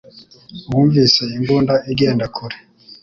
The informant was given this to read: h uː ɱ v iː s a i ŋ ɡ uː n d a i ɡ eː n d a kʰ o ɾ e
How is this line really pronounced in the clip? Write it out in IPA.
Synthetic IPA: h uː ɱ v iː s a i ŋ ɡ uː n d a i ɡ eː n d a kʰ u ɾ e